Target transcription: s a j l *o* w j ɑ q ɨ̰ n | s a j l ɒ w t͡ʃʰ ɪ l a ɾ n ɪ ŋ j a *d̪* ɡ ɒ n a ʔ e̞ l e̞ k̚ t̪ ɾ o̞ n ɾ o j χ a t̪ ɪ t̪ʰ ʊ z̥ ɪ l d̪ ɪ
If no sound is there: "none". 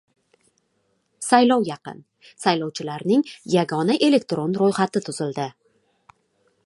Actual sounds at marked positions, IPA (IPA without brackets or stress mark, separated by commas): ɒ, none